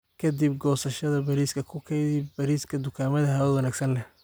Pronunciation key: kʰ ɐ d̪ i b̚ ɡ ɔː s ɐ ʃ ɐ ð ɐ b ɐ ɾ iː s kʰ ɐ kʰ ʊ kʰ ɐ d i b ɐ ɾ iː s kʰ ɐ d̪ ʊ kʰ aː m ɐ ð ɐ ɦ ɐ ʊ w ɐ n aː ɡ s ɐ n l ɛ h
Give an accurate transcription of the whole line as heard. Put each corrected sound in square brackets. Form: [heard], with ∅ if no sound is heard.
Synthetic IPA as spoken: kʰ ɐ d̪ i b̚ ɡ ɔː s ɐ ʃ ɐ ð ɐ b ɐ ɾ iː s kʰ ɐ kʰ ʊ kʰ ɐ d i b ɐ ɾ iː s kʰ ɐ d̪ ʊ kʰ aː m ɐ ð ɐ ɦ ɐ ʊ w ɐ n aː ɡ s ɐ n l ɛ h